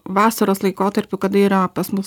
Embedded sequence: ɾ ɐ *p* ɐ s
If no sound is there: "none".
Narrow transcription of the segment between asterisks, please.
p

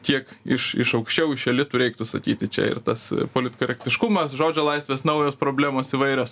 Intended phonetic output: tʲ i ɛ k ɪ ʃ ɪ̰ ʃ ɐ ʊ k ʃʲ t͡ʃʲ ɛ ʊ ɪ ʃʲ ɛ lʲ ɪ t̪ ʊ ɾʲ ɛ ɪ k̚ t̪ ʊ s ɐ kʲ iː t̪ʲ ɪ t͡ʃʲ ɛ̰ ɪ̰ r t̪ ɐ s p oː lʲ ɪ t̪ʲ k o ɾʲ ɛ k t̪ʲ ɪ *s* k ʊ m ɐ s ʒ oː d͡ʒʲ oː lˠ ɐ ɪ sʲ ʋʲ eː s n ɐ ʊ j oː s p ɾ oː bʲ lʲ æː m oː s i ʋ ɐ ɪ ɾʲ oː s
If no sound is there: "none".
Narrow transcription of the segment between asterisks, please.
ʃ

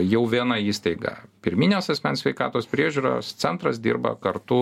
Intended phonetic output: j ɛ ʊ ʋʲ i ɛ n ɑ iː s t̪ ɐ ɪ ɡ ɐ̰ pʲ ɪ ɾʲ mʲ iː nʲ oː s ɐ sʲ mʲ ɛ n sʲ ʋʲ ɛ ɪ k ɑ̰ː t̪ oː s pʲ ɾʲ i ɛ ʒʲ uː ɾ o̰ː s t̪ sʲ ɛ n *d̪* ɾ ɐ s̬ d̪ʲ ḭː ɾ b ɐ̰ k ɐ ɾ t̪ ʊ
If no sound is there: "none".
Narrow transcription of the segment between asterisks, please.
t̪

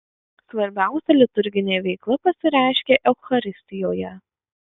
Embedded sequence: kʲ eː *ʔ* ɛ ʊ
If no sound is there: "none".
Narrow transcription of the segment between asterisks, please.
ʔ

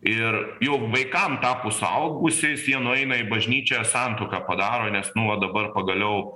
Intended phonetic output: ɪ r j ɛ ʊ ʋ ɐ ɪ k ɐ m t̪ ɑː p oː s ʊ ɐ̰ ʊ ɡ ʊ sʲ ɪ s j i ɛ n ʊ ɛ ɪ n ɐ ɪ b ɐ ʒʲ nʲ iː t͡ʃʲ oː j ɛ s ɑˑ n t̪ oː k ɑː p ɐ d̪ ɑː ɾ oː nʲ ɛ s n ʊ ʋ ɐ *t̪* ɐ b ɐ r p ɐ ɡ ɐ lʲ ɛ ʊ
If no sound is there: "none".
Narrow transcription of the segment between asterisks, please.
d̪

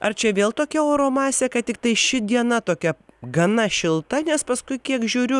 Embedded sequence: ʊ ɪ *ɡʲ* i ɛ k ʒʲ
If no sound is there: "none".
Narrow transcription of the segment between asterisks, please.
kʲ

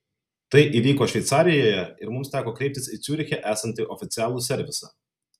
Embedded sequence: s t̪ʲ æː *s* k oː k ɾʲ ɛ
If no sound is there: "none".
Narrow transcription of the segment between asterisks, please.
none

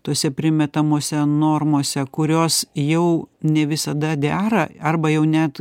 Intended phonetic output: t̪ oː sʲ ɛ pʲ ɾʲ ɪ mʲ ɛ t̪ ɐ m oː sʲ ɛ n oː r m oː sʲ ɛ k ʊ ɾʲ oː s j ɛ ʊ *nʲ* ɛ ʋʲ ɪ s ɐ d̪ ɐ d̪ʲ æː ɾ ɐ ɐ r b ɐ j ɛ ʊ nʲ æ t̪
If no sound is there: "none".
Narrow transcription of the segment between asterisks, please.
nʲ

